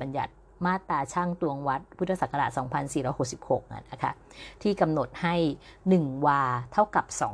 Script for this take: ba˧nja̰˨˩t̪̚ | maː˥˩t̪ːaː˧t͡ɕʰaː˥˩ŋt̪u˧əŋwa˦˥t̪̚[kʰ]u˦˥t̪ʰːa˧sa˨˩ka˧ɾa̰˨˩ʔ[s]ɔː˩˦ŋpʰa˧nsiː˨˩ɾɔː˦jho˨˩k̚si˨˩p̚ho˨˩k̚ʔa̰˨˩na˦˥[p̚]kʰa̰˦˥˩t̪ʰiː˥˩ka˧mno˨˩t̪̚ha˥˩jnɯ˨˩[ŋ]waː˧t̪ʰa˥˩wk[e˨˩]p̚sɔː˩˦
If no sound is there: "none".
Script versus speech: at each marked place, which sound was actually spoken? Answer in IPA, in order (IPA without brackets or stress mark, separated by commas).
pʰ, s, none, ŋ, a˨˩